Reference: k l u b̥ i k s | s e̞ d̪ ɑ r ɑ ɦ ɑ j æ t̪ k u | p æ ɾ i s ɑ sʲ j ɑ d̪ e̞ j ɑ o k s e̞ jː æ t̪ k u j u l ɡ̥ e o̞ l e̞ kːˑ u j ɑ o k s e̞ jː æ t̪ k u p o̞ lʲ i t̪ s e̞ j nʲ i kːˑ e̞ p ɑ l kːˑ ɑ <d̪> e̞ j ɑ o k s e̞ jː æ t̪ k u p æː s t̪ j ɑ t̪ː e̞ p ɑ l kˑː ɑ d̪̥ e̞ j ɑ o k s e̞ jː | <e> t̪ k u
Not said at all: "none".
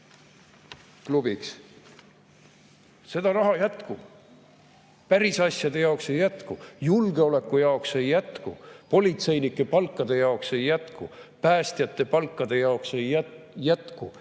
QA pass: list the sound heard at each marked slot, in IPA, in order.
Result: d̪, æ

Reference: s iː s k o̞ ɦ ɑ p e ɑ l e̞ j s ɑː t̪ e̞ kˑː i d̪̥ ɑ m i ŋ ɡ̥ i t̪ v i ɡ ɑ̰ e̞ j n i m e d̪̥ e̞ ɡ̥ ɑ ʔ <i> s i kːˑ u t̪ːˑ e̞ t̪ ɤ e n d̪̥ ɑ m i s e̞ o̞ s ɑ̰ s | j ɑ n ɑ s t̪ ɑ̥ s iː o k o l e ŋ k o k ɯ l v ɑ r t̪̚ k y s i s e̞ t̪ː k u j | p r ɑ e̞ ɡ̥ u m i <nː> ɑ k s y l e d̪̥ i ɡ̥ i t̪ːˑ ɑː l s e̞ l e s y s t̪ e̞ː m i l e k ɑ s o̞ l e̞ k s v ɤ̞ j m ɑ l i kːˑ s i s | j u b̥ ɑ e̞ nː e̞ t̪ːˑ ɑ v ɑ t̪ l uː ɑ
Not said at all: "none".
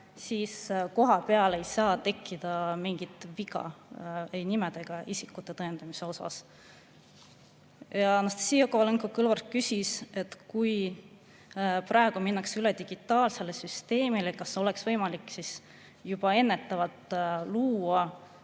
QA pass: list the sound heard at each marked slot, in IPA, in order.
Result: i, nː

